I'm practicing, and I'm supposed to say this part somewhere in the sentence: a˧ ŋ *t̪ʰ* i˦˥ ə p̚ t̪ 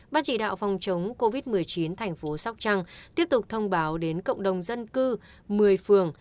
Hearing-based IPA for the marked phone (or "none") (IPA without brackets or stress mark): t̪